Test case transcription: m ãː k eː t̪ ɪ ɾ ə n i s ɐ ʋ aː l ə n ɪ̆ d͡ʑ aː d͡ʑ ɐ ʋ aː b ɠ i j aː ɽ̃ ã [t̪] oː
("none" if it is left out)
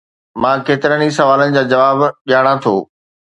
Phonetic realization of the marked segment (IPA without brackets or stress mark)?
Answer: t̪ʰ